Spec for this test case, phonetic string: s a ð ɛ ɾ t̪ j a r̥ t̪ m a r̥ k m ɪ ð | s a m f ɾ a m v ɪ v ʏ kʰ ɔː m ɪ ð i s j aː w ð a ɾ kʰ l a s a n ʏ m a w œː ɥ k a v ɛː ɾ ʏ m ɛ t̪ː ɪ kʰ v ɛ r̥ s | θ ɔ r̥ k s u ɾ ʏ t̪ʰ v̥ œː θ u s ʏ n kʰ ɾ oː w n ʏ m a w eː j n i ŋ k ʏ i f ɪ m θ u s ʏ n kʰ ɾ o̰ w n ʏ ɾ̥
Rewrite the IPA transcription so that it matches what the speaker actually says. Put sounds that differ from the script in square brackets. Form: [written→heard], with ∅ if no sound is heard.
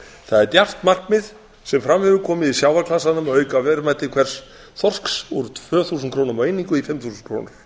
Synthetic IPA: [s→θ] a ð ɛ ɾ t̪ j a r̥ t̪ m a r̥ k m ɪ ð | s [a→ɛ] m f ɾ a m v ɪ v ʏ kʰ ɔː m ɪ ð i s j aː w [ð→v] a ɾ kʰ l a s a n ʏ m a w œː ɥ k a v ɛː ɾ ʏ m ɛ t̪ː ɪ kʰ v ɛ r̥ s | θ ɔ r̥ k s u ɾ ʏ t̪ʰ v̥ œː θ u s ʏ n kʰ ɾ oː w n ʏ m a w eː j n i ŋ k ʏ i f ɪ m θ u s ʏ n kʰ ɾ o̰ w n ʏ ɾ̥